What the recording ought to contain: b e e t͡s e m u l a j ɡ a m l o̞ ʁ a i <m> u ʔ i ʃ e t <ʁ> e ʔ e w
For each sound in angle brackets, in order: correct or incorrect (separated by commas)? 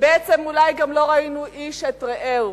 incorrect, correct